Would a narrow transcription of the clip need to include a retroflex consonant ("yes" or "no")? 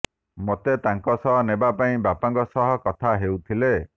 no